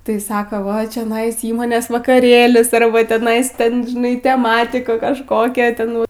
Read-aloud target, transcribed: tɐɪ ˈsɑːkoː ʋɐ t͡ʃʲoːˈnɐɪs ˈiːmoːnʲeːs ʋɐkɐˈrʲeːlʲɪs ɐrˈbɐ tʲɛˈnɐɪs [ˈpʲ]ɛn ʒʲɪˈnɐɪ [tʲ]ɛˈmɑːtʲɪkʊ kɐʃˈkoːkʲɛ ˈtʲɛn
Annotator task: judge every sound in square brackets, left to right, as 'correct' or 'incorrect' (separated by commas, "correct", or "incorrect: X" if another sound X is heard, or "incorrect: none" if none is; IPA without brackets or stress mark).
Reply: incorrect: tʲ, correct